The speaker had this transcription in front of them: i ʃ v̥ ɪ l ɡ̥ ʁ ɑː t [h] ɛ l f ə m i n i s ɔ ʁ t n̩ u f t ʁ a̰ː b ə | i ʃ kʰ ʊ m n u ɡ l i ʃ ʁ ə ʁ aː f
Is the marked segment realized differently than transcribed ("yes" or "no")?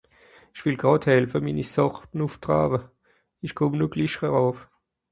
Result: no